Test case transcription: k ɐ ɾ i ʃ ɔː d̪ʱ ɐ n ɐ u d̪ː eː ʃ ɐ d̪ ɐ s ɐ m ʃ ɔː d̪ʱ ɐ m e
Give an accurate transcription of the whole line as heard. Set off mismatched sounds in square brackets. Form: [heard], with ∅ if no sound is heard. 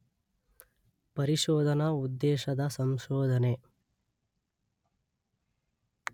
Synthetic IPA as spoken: [p] ɐ ɾ i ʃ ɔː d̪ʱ ɐ n ɐ u d̪ː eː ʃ ɐ d̪ ɐ s ɐ m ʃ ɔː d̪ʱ ɐ [n] e